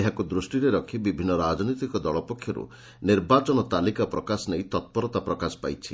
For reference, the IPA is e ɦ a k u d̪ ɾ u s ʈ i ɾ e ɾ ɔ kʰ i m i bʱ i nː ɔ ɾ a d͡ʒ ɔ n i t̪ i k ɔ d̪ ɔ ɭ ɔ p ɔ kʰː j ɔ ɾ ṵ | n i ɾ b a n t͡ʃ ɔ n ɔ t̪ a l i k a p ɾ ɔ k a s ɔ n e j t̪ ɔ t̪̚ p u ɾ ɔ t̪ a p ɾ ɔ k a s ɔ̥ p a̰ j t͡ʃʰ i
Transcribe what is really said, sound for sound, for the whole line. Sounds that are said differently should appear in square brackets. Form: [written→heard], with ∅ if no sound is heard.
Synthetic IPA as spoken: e ɦ a k u d̪ ɾ u s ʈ i ɾ e ɾ ɔ kʰ i [m→b] i bʱ i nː ɔ ɾ a d͡ʒ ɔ n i t̪ i k ɔ d̪ ɔ ɭ ɔ p ɔ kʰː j ɔ ɾ ṵ | n i ɾ b a [n→∅] t͡ʃ ɔ n ɔ t̪ a l i k a p ɾ ɔ k a s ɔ n e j t̪ ɔ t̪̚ p [u→ɔ] ɾ ɔ t̪ a p ɾ ɔ k a s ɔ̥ p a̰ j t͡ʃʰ i